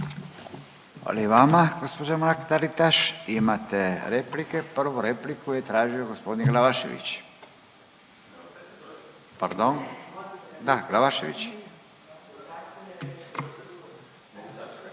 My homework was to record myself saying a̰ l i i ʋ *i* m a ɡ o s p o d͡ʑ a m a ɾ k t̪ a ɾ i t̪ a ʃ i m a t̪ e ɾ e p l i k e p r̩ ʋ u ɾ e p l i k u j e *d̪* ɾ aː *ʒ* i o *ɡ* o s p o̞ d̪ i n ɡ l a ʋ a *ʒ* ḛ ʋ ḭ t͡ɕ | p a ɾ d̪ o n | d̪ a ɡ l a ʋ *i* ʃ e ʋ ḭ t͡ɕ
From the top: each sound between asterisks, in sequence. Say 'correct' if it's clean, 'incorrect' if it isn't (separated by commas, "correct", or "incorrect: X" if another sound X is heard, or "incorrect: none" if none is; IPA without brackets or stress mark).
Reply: incorrect: a, incorrect: t̪, correct, correct, incorrect: ʃ, incorrect: a